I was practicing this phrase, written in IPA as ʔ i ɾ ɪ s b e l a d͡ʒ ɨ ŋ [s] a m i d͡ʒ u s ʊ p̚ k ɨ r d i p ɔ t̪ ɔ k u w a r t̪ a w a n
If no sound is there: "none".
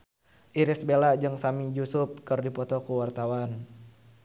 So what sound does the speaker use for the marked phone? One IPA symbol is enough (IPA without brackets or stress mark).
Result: s